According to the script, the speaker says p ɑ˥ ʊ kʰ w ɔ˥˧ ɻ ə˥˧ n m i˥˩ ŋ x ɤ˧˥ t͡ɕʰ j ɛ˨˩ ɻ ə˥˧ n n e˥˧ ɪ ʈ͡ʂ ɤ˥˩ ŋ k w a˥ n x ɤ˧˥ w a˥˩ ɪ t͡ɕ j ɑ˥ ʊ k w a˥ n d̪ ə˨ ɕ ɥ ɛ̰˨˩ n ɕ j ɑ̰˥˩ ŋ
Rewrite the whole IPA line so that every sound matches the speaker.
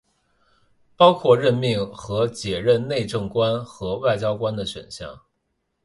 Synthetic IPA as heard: p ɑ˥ ʊ kʰ w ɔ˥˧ ɻ ə˥˧ n m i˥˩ ŋ x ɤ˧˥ t͡ɕ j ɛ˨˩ ɻ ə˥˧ n n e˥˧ ɪ ʈ͡ʂ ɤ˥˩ ŋ k w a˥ n x ɤ˧˥ w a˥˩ ɪ t͡ɕ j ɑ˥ ʊ k w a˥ n d̪ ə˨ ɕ ɥ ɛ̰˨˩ n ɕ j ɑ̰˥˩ ŋ